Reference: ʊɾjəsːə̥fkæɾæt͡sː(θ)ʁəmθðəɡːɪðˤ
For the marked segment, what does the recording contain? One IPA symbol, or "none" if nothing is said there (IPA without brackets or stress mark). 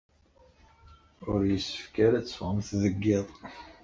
f